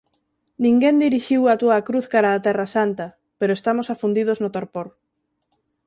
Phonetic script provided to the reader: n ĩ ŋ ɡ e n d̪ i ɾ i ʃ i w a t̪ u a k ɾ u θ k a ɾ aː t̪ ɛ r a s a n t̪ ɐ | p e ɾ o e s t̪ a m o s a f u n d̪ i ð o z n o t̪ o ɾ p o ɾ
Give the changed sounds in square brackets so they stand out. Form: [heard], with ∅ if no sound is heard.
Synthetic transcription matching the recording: n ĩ ŋ ɡ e n d̪ i ɾ i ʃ i w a t̪ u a k ɾ u θ k a ɾ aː t̪ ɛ r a s a n t̪ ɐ | p e ɾ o e s t̪ a m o s a f u n d̪ i ð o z n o t̪ o ɾ p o ɾ